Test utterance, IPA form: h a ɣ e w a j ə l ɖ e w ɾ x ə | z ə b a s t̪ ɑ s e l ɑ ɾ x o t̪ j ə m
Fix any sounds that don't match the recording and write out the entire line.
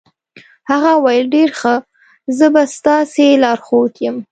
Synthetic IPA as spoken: h a ɣ a w a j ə l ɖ e ɾ x ə | z ə b a s t̪ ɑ s e l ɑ ɾ x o t̪ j ə m